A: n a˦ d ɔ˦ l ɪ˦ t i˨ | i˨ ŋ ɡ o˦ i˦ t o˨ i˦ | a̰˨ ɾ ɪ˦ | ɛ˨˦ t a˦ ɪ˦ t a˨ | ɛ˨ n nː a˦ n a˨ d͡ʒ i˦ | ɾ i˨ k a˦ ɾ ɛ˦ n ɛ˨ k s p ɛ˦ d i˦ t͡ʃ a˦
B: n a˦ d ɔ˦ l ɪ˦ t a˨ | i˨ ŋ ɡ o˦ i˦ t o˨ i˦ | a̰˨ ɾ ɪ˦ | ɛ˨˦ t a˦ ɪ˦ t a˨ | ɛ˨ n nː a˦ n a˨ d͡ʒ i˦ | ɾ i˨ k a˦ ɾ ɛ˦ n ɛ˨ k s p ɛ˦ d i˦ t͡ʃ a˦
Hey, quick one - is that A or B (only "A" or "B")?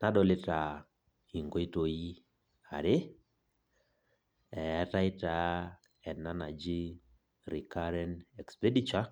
B